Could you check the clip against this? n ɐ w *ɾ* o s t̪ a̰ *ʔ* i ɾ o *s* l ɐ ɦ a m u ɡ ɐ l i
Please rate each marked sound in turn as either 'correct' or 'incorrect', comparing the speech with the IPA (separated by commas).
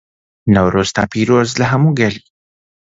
correct, incorrect, incorrect